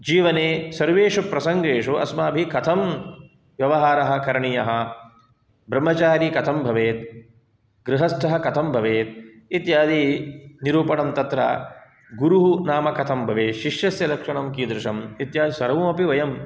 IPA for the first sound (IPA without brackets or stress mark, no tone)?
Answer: d͡ʒ